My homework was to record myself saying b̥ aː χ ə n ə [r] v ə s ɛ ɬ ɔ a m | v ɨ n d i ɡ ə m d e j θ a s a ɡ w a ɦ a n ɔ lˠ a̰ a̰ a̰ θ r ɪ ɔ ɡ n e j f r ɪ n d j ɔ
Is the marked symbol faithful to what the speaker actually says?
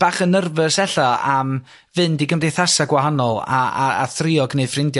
yes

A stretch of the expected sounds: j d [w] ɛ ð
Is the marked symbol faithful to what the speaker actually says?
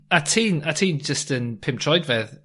no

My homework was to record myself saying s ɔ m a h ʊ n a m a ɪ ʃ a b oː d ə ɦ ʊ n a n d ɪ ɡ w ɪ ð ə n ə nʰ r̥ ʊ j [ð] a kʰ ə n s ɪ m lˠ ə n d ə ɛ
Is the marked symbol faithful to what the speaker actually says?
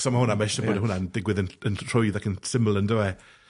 yes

